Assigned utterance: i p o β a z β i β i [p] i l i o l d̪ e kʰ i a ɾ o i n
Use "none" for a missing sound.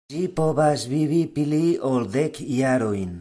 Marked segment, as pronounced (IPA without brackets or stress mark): p